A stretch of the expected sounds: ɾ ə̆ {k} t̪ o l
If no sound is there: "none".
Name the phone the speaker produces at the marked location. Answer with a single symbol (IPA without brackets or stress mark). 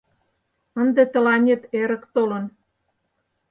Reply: k